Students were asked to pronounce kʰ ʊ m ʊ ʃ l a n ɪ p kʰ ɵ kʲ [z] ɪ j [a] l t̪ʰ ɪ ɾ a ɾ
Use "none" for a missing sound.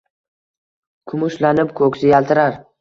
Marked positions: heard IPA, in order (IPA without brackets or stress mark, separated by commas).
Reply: s, a